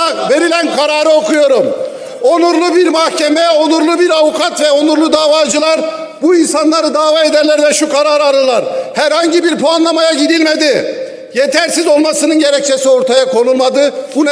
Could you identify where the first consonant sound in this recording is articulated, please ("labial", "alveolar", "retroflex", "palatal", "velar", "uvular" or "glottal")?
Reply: labial